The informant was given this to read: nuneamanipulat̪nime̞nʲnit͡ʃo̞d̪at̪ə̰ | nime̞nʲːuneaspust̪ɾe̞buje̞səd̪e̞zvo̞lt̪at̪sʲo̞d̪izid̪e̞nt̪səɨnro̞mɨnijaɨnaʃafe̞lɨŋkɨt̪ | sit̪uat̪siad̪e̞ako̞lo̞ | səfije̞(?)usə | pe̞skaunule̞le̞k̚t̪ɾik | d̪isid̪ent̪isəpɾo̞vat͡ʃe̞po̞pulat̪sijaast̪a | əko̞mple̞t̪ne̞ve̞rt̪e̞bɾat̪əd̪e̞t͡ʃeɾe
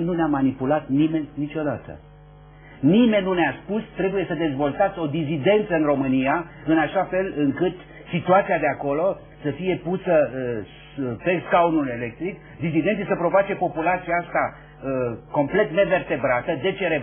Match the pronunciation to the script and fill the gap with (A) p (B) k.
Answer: A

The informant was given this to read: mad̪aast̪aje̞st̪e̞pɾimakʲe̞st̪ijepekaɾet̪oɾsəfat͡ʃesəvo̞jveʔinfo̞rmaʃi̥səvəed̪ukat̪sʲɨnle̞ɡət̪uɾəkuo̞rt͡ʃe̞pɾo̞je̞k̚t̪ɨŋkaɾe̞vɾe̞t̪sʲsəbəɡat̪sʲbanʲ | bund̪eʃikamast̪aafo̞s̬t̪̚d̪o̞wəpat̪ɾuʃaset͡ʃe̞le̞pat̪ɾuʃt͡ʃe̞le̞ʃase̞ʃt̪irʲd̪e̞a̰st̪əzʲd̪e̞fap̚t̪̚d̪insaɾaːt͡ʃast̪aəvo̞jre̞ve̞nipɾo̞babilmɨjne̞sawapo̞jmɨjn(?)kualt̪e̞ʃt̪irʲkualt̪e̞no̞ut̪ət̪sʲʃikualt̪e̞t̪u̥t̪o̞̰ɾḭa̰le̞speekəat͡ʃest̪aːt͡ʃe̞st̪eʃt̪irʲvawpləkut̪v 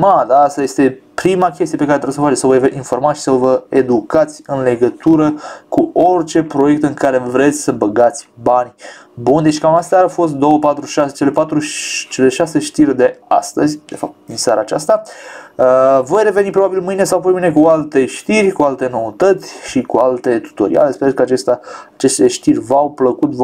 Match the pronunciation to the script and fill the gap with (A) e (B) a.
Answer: A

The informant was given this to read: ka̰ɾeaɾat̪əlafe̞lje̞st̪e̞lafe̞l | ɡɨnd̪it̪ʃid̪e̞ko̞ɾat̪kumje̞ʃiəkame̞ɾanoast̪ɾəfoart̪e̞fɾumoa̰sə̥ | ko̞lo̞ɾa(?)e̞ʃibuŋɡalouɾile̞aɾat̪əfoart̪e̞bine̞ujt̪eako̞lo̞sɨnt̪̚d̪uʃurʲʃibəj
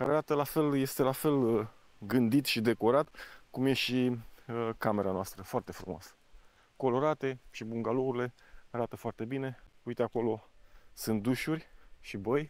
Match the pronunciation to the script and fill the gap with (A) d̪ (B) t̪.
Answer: B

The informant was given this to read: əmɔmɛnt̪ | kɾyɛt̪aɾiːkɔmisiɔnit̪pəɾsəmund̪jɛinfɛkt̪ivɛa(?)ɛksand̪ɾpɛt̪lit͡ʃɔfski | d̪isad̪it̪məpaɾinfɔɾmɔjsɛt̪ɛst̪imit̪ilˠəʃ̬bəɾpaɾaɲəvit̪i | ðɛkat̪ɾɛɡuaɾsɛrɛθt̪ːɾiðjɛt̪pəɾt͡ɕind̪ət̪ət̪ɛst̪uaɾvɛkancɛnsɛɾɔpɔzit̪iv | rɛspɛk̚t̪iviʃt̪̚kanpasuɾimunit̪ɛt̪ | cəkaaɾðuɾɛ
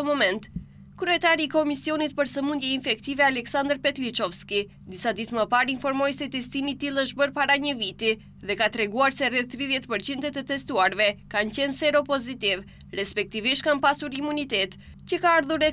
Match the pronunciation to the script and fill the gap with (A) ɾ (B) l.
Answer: B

